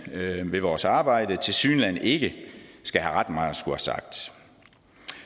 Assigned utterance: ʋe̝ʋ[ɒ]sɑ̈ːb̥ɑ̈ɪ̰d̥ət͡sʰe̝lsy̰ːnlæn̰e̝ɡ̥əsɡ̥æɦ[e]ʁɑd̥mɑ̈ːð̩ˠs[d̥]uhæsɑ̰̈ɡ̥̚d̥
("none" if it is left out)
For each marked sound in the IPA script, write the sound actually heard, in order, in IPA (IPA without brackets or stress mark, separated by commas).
ɒː, æ, ɡ̥